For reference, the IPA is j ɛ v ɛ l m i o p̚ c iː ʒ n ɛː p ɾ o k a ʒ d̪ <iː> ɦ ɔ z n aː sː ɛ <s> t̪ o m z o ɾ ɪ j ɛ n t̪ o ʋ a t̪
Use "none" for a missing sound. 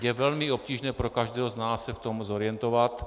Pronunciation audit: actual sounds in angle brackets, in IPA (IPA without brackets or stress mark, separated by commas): ɛː, f